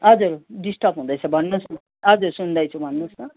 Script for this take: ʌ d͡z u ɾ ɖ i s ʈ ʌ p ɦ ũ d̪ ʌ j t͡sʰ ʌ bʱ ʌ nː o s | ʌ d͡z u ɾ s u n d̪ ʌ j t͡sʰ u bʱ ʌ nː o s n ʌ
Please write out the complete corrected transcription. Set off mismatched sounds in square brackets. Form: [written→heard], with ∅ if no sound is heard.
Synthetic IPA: ʌ d͡z u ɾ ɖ i s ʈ ʌ p ɦ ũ d̪ ʌ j t͡sʰ ʌ bʱ ʌ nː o s | ʌ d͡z u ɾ s u n d̪ ʌ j t͡sʰ u bʱ ʌ nː o s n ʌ